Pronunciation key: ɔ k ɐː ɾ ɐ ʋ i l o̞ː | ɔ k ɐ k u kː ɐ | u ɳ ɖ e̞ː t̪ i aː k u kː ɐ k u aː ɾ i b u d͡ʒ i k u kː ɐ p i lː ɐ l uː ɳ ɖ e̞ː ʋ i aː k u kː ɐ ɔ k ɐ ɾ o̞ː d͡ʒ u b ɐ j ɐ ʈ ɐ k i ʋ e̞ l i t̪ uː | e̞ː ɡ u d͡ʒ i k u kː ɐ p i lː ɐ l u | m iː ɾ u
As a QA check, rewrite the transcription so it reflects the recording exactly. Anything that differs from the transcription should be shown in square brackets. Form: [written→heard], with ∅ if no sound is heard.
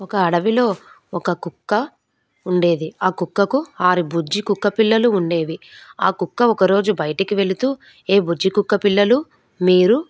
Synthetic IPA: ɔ k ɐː [ɾ→ɽ] ɐ ʋ i l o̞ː | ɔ k ɐ k u kː ɐ | u ɳ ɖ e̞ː [t̪→d̪] i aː k u kː ɐ k u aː ɾ i b u d͡ʒ i k u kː ɐ p i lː ɐ l uː ɳ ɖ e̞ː ʋ i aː k u kː ɐ ɔ k ɐ ɾ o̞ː d͡ʒ u b ɐ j ɐ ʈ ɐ k i ʋ e̞ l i t̪ uː | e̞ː [ɡ→b] u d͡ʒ i k u kː ɐ p i lː ɐ l u | m iː ɾ u